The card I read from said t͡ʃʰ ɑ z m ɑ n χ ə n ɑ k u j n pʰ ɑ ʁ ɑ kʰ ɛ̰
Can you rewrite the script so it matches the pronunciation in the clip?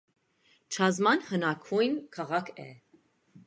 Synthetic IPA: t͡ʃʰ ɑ z m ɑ n h ə n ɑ kʰ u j n kʰ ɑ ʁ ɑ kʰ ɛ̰

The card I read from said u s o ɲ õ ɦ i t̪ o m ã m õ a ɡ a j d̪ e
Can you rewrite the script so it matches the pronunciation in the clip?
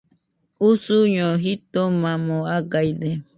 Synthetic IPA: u s u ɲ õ ɦ i t̪ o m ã m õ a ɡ a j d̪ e

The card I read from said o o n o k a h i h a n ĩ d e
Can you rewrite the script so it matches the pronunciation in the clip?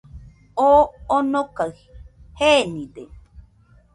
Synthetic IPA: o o n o k a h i h e n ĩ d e

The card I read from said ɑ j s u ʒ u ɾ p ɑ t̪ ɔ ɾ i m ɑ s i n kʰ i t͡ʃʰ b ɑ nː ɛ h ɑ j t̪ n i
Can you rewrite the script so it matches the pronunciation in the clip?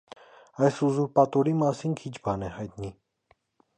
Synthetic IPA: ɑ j s u z u ɾ p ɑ t̪ ɔ ɾ i m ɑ s i n kʰ i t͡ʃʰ b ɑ n ɛ h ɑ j t̪ n i

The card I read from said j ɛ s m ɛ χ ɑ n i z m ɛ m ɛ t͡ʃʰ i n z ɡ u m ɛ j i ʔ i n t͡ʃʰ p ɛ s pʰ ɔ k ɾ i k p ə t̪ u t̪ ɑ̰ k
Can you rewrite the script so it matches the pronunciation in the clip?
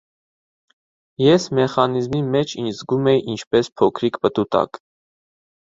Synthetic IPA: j ɛ s m ɛ χ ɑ n i z m i m ɛ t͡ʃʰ i n z ɡ u m ɛ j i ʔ i n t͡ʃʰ p ɛ s pʰ ɔ kʰ ɾ i k p ə t̪ u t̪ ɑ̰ k

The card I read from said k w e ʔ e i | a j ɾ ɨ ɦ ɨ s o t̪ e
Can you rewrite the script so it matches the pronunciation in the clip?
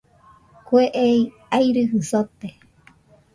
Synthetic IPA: k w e ʔ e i | a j ɾ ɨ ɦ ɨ s o t̪ e

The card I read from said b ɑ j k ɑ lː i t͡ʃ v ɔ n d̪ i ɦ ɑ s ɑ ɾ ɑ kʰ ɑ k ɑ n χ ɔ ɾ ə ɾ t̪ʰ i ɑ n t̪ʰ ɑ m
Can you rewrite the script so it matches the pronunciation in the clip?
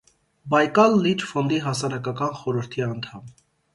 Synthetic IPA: b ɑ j k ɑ lː i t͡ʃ f ɔ n d̪ i ɦ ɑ s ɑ ɾ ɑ k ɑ k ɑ n χ ɔ ɾ ə ɾ t̪ʰ i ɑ n t̪ʰ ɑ m

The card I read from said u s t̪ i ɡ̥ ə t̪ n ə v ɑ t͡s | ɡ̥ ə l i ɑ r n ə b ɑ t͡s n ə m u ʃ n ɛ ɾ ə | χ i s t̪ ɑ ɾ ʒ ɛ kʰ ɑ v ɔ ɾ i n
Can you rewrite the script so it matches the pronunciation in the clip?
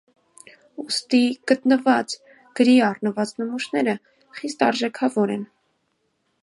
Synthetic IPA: u s t̪ i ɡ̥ ə t̪ n ə v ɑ t͡s | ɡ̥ ə ɾ i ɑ r n ə v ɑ t͡s n ə m u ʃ n ɛ ɾ ə | χ i s t̪ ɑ ɾ ʒ ɛ kʰ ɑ v ɔ ɾ ɛ n

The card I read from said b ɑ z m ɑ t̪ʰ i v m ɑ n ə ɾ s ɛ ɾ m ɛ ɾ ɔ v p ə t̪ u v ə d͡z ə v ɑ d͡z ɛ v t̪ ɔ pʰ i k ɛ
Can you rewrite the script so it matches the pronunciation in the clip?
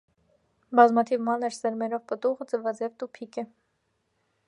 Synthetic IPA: b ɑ z m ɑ t̪ʰ i v m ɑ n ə ɾ s ɛ ɾ m ɛ ɾ ɔ v p ə t̪ u ʁ ə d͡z ə v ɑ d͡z ɛ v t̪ u pʰ i k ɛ

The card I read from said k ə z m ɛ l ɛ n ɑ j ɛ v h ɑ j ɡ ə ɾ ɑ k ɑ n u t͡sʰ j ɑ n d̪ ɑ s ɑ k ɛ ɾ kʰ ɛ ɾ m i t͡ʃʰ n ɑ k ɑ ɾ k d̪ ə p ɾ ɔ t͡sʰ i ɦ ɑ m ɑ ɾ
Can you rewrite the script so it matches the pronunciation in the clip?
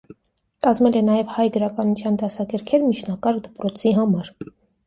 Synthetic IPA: k ɑ z m ɛ l ɛ n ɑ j ɛ v h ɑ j ɡ ə ɾ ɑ k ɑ n u t͡sʰ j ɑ n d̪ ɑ s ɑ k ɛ ɾ kʰ ɛ ɾ m i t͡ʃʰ n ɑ k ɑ ɾ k d̪ ə p ɾ ɔ t͡sʰ i ɦ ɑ m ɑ ɾ

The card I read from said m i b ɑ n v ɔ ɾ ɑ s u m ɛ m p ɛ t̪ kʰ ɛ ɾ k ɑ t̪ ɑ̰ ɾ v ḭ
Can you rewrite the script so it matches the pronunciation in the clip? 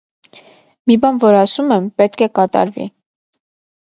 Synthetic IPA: m i b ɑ n v ɔ ɾ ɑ s u m ɛ m p ɛ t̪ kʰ ɛ k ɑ t̪ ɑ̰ ɾ v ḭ

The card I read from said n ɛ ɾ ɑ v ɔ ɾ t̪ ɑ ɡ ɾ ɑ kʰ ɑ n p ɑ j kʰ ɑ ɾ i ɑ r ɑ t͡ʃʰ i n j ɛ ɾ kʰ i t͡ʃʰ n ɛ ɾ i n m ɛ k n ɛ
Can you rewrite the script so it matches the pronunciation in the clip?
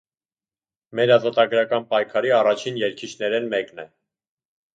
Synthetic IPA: m ɛ ɾ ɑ z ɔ t̪ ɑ ɡ ɾ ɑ k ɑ n p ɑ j kʰ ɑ ɾ i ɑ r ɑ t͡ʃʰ i n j ɛ ɾ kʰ i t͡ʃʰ n ɛ ɾ ɛ n m ɛ k n ɛ

